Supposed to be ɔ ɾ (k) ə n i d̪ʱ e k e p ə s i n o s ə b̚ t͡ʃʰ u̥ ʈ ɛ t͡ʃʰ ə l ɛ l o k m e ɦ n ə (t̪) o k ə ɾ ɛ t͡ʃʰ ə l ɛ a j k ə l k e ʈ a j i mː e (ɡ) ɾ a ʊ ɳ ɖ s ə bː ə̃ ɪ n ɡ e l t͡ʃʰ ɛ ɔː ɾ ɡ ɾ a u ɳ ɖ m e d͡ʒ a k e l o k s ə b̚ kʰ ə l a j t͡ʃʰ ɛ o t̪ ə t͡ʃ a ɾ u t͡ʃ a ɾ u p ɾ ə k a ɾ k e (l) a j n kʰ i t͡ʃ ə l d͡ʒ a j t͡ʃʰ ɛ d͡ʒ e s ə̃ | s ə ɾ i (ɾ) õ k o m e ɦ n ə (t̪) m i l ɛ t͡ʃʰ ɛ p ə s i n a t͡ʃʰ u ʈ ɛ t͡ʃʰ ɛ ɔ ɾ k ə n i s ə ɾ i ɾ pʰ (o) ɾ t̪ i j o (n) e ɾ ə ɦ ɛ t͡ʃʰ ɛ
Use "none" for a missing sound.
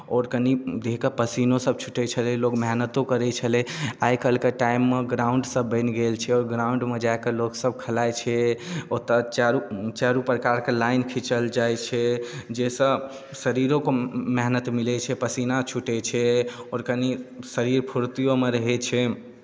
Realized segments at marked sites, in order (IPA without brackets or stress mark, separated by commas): k, t̪, ɡ, l, ɾ, t̪, u, m